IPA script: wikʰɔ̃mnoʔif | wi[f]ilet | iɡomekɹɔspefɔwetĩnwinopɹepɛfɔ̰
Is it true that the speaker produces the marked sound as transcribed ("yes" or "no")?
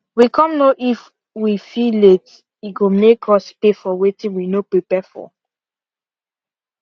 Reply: yes